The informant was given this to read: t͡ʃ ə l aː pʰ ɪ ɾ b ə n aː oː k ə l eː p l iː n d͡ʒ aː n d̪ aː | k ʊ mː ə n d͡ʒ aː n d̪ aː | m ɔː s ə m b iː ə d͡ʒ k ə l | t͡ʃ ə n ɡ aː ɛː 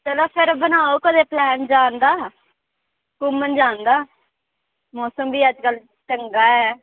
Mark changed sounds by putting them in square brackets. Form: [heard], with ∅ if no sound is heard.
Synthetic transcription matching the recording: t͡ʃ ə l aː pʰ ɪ ɾ b ə n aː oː k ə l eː p l [ɛː] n d͡ʒ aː n d̪ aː | k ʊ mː ə n d͡ʒ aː n d̪ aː | m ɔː s ə m b iː ə d͡ʒ k ə l | t͡ʃ ə [ŋ] ɡ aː ɛː